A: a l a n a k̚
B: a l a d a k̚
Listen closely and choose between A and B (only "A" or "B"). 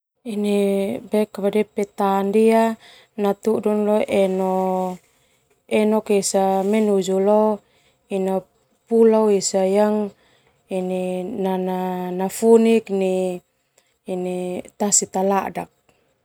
B